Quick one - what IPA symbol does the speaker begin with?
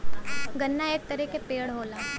ɡ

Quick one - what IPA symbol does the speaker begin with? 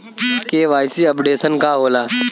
k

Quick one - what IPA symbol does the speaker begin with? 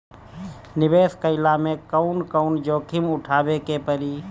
n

